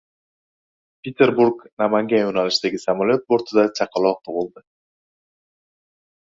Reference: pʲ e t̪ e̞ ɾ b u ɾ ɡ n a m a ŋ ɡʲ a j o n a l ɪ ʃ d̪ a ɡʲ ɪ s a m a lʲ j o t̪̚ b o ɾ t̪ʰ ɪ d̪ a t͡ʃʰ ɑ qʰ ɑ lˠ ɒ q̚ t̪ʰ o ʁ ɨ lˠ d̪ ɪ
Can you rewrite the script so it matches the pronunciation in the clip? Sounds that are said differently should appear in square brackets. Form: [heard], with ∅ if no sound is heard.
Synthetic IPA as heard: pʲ e t̪ e̞ ɾ b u ɾ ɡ n a m a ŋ ɡʲ a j o n a l ɪ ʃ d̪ a ɡʲ ɪ s a m a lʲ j o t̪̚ b o ɾ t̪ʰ ɪ d̪ a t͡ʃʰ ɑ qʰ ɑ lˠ ɒ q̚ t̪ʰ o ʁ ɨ lˠ d̪ ɪ